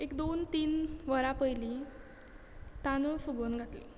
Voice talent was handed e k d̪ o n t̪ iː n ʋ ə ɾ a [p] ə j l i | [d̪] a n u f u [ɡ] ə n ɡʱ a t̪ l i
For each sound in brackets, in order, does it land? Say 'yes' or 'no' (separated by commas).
yes, no, yes